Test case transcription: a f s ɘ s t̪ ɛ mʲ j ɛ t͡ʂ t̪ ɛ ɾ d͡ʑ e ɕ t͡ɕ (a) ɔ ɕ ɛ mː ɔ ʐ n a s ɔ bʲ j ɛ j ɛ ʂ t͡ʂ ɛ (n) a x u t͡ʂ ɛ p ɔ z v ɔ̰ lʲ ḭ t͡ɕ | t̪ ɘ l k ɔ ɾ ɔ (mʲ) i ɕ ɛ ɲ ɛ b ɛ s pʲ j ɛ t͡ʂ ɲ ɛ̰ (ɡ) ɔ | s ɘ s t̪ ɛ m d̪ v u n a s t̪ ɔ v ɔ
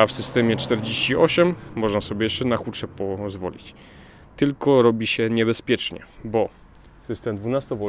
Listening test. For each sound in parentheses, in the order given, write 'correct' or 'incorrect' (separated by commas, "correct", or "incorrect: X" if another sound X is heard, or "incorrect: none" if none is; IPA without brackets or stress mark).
incorrect: i, correct, incorrect: bʲ, incorrect: b